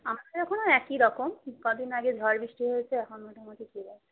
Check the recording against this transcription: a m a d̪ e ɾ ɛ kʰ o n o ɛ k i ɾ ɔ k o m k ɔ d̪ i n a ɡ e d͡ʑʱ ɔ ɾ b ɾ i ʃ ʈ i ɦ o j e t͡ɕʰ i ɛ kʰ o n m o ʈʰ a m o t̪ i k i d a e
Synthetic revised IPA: a m a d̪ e ɾ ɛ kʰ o n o ɛ k i ɾ ɔ k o m k ɔ d̪ i n a ɡ e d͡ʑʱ ɔ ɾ b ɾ i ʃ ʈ i ɦ o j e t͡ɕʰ e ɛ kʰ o n m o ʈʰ a m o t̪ i k i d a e